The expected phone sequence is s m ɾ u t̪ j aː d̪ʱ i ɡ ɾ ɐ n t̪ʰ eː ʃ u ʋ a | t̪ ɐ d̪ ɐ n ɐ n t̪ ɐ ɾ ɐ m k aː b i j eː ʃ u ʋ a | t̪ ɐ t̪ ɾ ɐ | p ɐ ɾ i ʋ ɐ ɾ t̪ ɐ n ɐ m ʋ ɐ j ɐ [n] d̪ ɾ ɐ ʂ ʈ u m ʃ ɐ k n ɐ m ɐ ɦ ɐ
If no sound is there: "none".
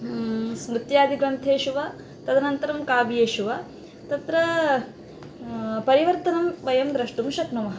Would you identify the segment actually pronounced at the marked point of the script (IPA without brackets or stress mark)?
m